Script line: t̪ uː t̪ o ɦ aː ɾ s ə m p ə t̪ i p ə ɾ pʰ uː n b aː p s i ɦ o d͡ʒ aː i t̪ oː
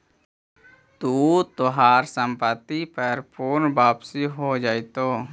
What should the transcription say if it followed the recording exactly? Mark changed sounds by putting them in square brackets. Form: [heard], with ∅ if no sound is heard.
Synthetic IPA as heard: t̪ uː t̪ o ɦ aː ɾ s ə m p ə t̪ i p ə ɾ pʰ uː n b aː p s i ɦ o d͡ʒ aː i t̪ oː